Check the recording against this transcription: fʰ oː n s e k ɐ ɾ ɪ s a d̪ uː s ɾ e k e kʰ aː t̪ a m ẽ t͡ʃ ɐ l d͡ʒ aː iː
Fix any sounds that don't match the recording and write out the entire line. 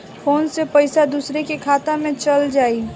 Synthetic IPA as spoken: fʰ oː n s e p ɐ ɪ s a d̪ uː s ɾ e k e kʰ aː t̪ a m ẽ t͡ʃ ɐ l d͡ʒ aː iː